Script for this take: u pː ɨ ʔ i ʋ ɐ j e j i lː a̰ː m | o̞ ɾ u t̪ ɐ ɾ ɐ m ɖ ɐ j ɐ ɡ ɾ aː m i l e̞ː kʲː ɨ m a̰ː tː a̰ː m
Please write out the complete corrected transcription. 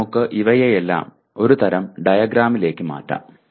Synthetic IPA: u kː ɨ ʔ i ʋ ɐ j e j e lː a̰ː m | o̞ ɾ u t̪ ɐ ɾ ɐ m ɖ ɐ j ɐ ɡ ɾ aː m i l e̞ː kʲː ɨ m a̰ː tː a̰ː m